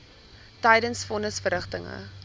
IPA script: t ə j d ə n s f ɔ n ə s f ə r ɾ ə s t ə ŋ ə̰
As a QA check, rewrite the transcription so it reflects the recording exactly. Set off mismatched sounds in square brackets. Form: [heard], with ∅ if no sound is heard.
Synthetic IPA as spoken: t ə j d ə n s f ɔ n ə s f ə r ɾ ə [χ] t ə ŋ ə̰